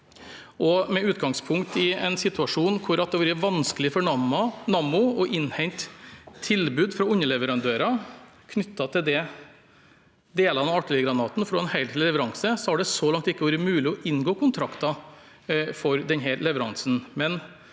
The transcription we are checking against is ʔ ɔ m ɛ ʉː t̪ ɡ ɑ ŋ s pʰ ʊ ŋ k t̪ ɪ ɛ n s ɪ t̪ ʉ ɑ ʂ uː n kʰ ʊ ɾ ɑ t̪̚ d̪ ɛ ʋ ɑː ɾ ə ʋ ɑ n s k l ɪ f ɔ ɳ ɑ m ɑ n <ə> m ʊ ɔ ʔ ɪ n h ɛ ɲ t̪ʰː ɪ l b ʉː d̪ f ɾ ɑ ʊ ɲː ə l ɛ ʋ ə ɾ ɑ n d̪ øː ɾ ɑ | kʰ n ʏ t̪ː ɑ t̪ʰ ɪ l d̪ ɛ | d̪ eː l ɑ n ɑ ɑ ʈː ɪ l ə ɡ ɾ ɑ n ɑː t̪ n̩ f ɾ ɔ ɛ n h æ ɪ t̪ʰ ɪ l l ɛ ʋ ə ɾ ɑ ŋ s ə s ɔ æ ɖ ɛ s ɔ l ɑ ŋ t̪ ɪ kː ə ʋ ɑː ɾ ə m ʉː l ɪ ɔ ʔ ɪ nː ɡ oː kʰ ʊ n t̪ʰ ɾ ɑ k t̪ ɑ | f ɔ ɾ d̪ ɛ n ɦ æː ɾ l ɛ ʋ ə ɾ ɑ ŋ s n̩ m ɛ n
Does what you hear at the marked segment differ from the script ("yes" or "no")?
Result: yes